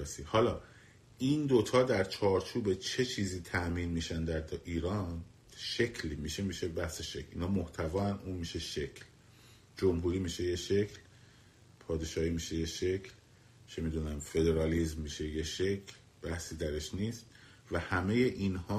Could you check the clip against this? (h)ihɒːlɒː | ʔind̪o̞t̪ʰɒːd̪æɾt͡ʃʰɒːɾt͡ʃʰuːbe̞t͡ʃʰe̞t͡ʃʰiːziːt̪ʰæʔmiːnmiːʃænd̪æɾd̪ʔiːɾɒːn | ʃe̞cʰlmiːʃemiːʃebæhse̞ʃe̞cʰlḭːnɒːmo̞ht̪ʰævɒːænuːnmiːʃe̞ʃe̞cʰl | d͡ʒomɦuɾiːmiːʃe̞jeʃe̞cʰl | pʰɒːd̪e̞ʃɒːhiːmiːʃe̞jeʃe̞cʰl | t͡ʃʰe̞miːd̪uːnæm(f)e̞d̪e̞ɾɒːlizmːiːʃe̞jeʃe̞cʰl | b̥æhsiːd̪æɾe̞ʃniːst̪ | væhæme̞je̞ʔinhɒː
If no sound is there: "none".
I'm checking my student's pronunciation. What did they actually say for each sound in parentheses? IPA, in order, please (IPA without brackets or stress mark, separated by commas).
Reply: s, f